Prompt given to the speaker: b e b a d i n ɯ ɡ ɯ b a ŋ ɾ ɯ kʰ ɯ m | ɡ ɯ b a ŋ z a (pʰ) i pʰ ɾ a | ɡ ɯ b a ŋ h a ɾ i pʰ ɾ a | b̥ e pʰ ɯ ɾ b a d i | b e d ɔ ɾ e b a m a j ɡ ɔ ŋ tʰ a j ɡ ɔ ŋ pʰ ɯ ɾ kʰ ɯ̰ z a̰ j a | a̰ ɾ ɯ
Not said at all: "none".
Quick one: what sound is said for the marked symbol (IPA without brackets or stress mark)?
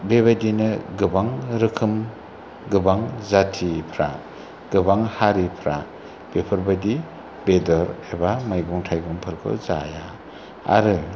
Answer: tʰ